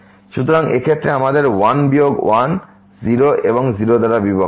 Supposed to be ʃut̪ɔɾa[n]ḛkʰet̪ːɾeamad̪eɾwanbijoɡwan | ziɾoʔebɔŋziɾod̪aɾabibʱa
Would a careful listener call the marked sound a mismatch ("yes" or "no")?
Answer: yes